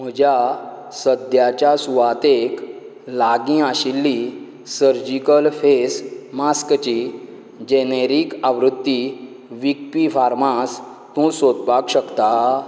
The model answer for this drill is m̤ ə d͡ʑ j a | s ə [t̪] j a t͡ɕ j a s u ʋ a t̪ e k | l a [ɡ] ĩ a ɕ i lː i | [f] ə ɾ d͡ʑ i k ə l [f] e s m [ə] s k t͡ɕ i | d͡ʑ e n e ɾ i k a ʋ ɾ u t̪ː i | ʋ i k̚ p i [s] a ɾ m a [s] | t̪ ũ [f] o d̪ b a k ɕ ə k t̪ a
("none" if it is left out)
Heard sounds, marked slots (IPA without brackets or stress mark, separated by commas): d̪, ɡ, s, f, a, f, s, s